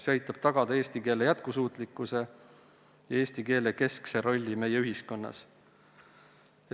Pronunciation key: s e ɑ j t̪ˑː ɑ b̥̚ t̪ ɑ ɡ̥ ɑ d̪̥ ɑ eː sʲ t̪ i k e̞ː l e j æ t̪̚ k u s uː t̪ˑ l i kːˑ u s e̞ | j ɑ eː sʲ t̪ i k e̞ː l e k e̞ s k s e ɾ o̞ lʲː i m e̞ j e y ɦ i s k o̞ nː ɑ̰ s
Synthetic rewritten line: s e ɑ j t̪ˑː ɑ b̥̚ t̪ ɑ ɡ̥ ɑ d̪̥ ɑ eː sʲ t̪ i k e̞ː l e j æ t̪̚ k u s uː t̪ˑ l i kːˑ u s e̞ | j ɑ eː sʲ t̪ i k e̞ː l e k e̞ s k s e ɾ o̞ lʲː i m e̞ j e y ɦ i s k o̞ nː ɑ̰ s

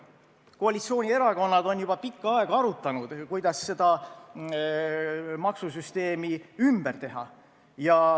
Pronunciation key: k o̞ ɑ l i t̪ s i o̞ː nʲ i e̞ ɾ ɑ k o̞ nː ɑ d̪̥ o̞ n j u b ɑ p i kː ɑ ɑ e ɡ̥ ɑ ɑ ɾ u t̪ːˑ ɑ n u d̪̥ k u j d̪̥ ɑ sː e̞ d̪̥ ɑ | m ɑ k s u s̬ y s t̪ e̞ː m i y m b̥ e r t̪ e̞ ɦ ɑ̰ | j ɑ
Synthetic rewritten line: k o̞ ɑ l i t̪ s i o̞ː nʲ i e̞ ɾ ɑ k o̞ nː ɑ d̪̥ o̞ n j u b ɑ p i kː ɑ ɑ e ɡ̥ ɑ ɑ ɾ u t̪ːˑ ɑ n u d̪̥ k u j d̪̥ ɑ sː e̞ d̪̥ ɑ | m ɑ k s u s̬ y s t̪ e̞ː m i y m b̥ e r t̪ e̞ ɦ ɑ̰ | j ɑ

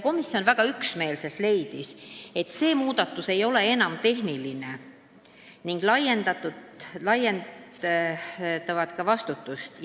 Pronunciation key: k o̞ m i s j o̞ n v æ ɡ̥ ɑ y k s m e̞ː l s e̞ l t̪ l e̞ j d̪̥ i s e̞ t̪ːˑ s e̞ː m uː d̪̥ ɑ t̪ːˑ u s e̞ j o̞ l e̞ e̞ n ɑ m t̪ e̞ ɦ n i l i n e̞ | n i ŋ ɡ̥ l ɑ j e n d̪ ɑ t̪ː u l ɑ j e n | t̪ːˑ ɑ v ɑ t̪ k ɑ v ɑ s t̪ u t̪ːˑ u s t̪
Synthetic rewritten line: k o̞ m i s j o̞ n v æ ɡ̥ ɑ y k s m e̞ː l s e̞ l t̪ l e̞ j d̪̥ i s e̞ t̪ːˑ s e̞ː m uː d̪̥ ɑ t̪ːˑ u s e̞ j o̞ l e̞ e̞ n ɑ m t̪ e̞ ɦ n i l i n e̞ | n i ŋ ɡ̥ l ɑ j e n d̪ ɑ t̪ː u l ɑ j e n | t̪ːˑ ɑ v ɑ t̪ k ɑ v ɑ s t̪ u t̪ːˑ u s t̪

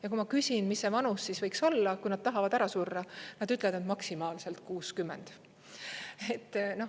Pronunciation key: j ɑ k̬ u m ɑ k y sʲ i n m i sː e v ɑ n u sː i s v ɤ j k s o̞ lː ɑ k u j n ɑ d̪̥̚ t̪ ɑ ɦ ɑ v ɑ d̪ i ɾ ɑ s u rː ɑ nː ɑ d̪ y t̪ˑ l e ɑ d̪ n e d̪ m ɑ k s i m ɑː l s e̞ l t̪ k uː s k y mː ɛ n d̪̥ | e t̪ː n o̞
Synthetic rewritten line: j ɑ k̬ u m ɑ k y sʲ i n m i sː e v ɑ n u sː i s v ɤ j k s o̞ lː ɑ k u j n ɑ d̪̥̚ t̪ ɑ ɦ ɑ v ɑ d̪ æ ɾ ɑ s u rː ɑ n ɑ d̪ y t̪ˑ l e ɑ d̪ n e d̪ m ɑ k s i m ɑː l s e̞ l t̪ k uː s k y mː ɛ n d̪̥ | e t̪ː n o̞

